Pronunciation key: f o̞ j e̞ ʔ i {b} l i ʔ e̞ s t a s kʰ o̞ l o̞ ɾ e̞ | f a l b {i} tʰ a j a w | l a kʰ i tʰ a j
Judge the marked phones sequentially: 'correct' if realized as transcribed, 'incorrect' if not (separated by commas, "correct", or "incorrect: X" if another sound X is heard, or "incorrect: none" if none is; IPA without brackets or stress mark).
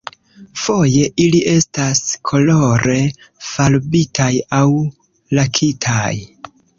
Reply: incorrect: none, correct